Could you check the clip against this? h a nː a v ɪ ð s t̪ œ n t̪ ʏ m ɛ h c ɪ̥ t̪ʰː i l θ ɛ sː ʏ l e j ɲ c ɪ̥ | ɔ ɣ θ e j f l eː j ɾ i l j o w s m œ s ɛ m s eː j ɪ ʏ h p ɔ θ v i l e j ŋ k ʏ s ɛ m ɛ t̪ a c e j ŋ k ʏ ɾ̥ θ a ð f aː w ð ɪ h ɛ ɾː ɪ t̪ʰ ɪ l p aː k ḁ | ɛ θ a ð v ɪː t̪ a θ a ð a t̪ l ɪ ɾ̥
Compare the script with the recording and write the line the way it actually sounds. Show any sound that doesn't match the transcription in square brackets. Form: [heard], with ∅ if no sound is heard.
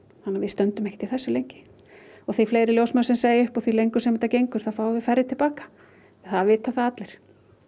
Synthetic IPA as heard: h a nː a v ɪ ð s t̪ œ n t̪ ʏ m ɛ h c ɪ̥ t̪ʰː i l θ ɛ sː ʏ l e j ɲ c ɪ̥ | ɔ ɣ θ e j f l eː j ɾ [ɪ] l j o w s m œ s ɛ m s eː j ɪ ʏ h p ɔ θ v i l e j ŋ k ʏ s ɛ m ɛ t̪ a c e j ŋ k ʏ ɾ̥ θ a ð f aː w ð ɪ [f] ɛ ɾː ɪ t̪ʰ ɪ l p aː k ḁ | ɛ θ a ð v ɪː t̪ a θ a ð a t̪ l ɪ ɾ̥

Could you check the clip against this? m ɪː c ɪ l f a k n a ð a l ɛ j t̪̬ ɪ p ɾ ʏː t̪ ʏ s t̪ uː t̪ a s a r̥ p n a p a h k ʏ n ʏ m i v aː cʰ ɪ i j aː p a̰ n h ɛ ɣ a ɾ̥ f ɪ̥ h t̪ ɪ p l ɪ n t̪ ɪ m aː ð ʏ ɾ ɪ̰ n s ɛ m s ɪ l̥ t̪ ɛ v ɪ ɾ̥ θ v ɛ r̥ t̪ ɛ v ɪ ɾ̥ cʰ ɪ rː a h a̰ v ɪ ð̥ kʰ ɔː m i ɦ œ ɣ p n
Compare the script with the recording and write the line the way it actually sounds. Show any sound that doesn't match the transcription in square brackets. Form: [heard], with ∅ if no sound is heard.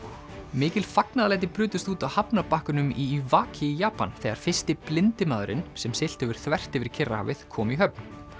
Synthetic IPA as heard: m ɪː c ɪ l f a k n a ð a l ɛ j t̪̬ ɪ p ɾ ʏː t̪ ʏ s t̪ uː t̪ a [h] a [∅] p n a p a h k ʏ n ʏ m i v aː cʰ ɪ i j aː p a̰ n [θ] ɛ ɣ a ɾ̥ f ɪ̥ [s] t̪ ɪ p l ɪ n t̪ ɪ m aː ð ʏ ɾ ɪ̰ n s ɛ m s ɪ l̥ t̪ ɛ v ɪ ɾ̥ θ v ɛ r̥ t̪ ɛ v ɪ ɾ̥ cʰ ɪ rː a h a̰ v ɪ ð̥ kʰ ɔː m i ɦ œ [∅] p n

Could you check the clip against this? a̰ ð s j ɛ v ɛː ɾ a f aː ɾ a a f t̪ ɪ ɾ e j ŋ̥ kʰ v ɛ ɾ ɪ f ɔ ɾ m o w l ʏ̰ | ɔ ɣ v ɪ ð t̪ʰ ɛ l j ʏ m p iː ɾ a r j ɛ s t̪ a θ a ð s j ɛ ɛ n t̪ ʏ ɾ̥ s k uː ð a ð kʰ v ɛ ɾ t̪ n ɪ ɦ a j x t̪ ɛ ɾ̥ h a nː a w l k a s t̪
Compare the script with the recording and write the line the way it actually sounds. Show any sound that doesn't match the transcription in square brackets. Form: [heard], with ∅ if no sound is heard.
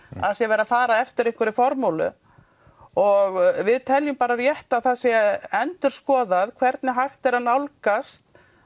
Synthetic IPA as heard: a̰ ð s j ɛ v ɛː ɾ a f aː ɾ a [ɛ] f t̪ ɪ ɾ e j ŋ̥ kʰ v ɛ ɾ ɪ f ɔ ɾ m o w l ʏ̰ | ɔ ɣ v ɪ ð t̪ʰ ɛ l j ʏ m p [aː] ɾ a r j ɛ [h] t̪ a θ a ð s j ɛ ɛ n t̪ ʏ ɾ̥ s k [ɔː] ð a ð kʰ v ɛ ɾ t̪ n ɪ ɦ a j x t̪ ɛ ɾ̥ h a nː a w l k a s t̪

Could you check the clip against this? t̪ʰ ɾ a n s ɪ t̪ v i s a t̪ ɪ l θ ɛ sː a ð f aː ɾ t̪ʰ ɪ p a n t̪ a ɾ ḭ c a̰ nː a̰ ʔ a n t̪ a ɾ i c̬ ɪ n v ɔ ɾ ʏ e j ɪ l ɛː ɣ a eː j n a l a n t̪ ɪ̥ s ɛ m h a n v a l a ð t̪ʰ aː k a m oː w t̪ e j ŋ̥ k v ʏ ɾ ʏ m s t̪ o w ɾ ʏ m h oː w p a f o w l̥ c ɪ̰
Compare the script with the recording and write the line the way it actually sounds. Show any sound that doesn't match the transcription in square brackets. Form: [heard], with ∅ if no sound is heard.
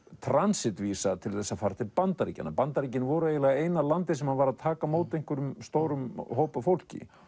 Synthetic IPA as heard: t̪ʰ ɾ a n s ɪ t̪ v i s a [t̪ʰ] ɪ l θ ɛ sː a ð f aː ɾ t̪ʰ ɪ p a n t̪ a ɾ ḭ c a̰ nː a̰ [p] a n t̪ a ɾ i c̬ ɪ n v ɔ ɾ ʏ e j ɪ l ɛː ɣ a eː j n a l a n t̪ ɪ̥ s ɛ m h a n v a [ɾ] a ð t̪ʰ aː k a m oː w t̪ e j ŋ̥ k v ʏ ɾ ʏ m s t̪ o w ɾ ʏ m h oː w p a f o w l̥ c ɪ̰

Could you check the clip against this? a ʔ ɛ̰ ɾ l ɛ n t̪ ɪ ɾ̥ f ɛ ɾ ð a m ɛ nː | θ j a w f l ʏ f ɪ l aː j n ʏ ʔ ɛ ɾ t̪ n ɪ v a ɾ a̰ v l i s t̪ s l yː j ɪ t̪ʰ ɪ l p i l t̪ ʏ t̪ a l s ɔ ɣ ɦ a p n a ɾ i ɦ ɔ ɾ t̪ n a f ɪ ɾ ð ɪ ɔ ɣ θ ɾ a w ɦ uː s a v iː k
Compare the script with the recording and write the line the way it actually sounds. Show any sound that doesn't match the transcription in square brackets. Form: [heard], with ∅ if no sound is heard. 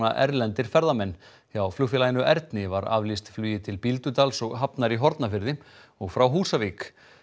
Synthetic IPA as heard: a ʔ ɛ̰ ɾ l ɛ n t̪ ɪ ɾ̥ f ɛ ɾ ð a m ɛ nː | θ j a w f l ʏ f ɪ l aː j n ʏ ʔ ɛ ɾ t̪ n ɪ v a ɾ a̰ v l i s t̪ [f] l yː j ɪ t̪ʰ ɪ l p i l t̪ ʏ t̪ a l s ɔ ɣ ɦ a p n a ɾ i ɦ ɔ ɾ t̪ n a f ɪ ɾ ð ɪ ɔ ɣ [f] ɾ a w ɦ uː s a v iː k

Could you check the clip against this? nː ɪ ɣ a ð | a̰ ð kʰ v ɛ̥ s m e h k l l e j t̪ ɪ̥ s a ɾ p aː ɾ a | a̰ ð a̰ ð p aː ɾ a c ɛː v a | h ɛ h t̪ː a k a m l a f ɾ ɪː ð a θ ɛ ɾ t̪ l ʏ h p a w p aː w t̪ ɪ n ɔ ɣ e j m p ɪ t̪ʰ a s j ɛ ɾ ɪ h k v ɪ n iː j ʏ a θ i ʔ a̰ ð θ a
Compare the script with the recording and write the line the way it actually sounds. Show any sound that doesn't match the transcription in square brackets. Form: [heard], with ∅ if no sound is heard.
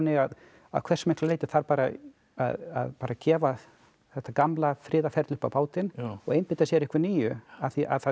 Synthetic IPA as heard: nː ɪ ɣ a ð | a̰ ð kʰ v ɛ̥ s m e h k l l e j t̪ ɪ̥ [θ] a ɾ p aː ɾ a | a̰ ð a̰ ð p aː ɾ a c ɛː v a | [θ] ɛ h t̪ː a k a m l a f ɾ ɪː ð a [f] ɛ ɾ t̪ l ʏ h p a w p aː w t̪ ɪ n ɔ ɣ e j m p ɪ [t̪] a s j ɛ ɾ ɪ h k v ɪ n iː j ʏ a θ i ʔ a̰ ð θ a

